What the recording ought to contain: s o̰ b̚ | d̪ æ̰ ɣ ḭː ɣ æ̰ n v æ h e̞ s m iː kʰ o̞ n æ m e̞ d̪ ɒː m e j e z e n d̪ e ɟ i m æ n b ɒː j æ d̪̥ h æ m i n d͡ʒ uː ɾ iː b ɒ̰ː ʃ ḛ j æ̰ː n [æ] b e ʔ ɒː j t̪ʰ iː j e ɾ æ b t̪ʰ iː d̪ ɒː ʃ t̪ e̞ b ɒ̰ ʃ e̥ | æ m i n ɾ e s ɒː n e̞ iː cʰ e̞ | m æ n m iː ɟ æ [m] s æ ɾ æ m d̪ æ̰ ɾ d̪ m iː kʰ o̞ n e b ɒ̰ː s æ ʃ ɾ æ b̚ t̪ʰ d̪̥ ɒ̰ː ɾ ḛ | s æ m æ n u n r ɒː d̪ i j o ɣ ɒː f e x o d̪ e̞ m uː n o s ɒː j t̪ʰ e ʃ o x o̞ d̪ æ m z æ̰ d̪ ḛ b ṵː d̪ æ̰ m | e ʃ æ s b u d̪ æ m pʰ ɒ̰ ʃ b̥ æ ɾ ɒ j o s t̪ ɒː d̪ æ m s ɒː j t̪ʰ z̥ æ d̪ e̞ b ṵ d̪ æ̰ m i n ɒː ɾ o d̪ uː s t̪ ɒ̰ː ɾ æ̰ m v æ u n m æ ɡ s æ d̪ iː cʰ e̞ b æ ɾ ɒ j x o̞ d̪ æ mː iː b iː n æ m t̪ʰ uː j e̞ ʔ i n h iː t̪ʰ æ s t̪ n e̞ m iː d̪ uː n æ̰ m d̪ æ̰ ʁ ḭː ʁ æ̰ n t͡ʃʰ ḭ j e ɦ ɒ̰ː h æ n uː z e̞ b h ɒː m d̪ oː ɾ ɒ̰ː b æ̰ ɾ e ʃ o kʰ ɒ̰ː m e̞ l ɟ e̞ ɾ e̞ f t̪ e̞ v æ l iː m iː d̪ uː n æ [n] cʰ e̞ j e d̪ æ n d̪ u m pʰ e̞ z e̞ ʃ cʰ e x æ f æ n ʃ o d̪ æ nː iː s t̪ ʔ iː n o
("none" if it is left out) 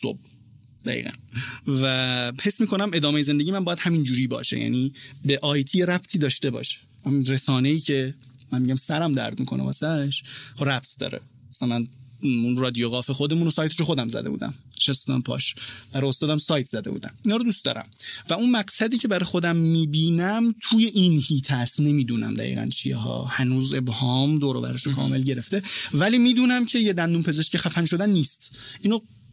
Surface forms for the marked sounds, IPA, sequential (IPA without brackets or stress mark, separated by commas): i, m, m